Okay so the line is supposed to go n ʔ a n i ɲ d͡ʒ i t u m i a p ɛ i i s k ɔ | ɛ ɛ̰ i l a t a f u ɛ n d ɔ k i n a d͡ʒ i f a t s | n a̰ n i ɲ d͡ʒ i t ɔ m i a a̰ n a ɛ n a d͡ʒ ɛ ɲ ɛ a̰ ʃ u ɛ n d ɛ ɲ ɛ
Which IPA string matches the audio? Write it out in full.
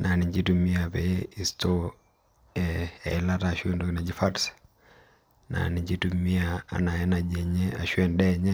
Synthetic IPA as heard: n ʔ a n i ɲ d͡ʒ i t u m i a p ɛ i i s t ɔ | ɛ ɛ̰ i l a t a ʃ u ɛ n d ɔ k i n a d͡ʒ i f a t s | n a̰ n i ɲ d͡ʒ i t u m i a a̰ n a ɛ n a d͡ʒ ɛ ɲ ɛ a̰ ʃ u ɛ n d ɛ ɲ ɛ

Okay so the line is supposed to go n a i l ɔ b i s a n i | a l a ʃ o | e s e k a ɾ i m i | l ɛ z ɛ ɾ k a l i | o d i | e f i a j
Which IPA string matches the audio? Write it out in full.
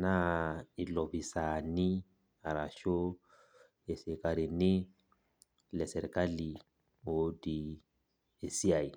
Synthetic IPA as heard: n a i l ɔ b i s a n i | a ɾ a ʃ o | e s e k a ɾ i n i | l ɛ s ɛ ɾ k a l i | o d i | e s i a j

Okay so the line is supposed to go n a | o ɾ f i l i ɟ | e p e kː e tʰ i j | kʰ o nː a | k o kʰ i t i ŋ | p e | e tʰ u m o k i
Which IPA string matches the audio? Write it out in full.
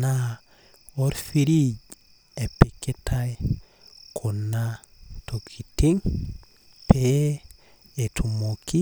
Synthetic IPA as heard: n a | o ɾ f i ɾ i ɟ | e p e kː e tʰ a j | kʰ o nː a | t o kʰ i t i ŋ | p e | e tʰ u m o k i

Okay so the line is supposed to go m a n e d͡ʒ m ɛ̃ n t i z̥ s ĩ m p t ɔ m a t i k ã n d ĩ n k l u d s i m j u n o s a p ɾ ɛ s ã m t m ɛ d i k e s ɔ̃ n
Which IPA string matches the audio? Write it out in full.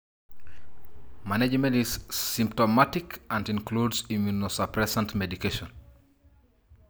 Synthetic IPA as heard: m a n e d͡ʒ m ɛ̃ n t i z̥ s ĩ m p t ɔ m a t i k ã n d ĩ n k l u d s i m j u n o s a p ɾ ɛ s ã n t m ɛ d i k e ʃ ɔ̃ n

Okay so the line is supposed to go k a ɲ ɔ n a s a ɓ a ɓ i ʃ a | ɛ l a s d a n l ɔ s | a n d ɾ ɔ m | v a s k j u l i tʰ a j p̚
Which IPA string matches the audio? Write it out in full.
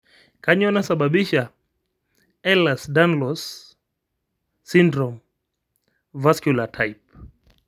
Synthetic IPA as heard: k a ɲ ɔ n a s a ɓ a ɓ i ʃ a | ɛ l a s d a n l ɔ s | i n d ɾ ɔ m | v a s k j u l a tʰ a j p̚

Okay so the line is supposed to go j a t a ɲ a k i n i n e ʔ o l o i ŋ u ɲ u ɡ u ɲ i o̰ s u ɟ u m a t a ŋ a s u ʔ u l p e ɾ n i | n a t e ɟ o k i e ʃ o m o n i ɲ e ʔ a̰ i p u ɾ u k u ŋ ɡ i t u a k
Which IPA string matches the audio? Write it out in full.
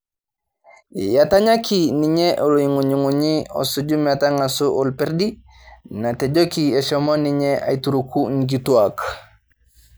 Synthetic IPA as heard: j a t a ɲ a k i n i ɲ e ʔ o l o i ŋ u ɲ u ŋ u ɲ i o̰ s u ɟ u m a t a ŋ a s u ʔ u l p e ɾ d i | n a t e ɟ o k i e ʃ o m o n i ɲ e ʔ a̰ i t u ɾ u k u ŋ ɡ i t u a k

